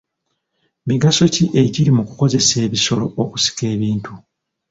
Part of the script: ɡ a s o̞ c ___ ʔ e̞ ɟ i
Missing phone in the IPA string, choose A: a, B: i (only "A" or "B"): B